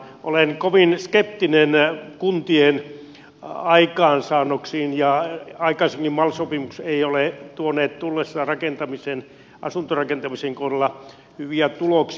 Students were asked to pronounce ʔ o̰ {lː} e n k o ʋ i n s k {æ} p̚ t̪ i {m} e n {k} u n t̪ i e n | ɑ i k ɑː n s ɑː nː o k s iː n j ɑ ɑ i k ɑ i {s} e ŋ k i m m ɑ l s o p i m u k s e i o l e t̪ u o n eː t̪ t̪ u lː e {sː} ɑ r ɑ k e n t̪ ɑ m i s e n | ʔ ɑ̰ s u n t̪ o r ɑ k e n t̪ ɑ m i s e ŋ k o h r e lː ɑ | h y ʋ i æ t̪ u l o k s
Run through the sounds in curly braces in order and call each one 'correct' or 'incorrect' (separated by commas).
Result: incorrect, incorrect, incorrect, correct, correct, correct